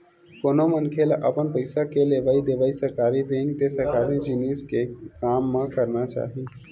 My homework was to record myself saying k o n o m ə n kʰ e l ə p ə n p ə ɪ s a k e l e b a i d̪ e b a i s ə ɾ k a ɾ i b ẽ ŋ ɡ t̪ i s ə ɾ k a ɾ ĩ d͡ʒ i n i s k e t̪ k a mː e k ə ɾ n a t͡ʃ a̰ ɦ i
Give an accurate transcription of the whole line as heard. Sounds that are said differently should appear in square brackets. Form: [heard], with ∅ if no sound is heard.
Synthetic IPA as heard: k o n o m ə n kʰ e l ə p ə n p ə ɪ s a k e l e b a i d̪ e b a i s ə ɾ k a ɾ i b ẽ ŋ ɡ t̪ [e] s ə ɾ k a ɾ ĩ d͡ʒ i n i s k e [∅] k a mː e k ə ɾ n a t͡ʃ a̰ ɦ i